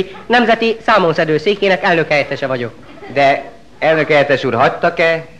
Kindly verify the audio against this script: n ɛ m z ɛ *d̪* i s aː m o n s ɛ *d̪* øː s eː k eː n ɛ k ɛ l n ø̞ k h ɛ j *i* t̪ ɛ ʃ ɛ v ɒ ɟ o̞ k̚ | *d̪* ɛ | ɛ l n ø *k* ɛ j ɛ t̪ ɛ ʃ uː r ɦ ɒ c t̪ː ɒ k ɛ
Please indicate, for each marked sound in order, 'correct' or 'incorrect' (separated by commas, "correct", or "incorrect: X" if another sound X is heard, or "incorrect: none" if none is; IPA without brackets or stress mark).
incorrect: t̪, correct, incorrect: ɛ, correct, correct